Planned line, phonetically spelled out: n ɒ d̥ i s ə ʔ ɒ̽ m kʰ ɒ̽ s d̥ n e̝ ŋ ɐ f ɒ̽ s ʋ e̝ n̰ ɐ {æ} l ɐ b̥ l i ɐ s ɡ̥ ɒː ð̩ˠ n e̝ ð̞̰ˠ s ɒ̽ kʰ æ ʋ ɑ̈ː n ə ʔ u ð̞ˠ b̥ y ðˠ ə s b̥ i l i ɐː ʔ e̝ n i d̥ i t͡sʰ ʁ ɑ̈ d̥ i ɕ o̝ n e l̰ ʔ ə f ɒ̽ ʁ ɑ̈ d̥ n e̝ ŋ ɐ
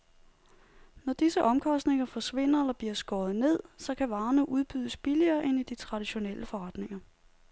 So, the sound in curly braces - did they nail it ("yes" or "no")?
no